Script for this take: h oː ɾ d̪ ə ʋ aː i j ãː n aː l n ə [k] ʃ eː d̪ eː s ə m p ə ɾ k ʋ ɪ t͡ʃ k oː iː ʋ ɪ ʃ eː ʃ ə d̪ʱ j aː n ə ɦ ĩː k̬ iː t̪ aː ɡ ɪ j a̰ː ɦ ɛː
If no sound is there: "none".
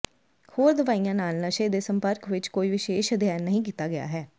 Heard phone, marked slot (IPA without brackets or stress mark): none